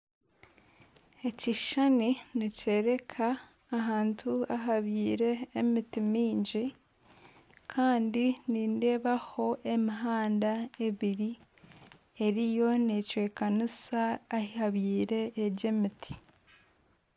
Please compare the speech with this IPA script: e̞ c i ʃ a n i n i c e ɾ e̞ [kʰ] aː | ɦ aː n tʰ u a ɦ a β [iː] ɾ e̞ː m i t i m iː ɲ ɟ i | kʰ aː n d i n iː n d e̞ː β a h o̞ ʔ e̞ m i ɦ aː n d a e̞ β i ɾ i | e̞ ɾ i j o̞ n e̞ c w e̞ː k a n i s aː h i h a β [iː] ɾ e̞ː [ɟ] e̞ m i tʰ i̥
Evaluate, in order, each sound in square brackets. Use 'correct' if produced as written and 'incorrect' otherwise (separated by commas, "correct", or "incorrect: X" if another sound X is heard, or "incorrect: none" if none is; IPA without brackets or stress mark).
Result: correct, correct, correct, correct